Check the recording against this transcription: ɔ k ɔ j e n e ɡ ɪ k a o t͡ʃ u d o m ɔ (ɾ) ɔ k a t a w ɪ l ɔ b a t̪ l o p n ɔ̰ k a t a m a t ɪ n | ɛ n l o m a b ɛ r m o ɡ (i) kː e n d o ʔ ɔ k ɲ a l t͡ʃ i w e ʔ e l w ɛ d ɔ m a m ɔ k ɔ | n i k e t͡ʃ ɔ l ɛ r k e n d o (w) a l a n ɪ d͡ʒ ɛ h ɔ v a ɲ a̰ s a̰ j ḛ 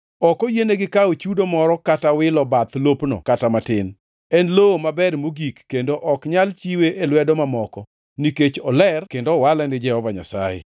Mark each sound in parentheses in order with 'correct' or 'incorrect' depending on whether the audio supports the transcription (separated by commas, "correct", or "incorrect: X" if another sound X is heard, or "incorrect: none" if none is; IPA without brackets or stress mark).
correct, correct, correct